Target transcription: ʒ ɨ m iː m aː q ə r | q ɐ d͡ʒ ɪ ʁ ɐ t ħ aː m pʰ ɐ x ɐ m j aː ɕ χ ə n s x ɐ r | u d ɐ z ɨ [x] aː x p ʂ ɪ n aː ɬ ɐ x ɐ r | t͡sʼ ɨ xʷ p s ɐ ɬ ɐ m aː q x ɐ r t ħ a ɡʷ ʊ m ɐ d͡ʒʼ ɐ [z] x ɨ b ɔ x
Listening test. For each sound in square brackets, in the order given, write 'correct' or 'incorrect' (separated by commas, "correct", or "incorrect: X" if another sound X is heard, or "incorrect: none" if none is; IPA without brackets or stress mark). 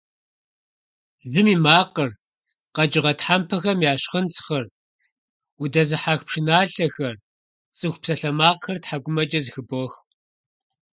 incorrect: ħ, correct